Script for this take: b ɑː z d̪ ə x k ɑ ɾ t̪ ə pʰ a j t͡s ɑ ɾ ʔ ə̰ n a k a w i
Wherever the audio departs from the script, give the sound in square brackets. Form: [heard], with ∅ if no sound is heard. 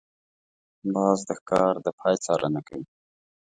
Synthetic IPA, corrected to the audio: b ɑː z d̪ ə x k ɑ ɾ [d̪] ə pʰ [ɑ] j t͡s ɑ ɾ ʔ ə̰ n a k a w i